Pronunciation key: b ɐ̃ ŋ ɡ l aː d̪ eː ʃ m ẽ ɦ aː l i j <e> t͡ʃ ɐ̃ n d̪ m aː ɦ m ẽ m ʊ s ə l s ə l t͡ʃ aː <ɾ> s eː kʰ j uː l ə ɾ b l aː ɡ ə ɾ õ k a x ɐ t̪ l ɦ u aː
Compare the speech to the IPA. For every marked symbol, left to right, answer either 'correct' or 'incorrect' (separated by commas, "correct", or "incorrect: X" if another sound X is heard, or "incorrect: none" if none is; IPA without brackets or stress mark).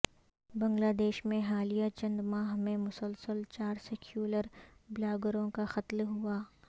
incorrect: a, correct